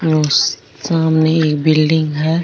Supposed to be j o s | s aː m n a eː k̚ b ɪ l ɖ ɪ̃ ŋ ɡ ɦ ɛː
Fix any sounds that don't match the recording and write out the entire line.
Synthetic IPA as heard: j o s | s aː m n e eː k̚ b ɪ l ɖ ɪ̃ ŋ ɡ ɦ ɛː